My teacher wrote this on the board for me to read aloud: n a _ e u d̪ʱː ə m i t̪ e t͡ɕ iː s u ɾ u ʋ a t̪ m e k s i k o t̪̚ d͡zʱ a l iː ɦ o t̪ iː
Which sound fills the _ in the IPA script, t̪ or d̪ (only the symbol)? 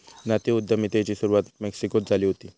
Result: t̪